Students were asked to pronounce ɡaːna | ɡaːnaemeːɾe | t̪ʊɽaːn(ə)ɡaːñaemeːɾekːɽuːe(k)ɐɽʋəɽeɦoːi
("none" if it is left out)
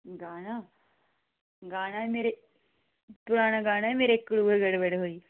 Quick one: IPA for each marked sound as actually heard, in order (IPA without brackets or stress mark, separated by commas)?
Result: a, ɡ